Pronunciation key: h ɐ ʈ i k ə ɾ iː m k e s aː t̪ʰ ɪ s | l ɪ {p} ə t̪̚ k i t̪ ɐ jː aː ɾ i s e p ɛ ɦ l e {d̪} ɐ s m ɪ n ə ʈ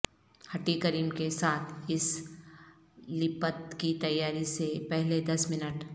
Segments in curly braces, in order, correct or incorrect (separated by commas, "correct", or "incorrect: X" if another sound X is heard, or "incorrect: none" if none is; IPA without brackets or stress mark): correct, correct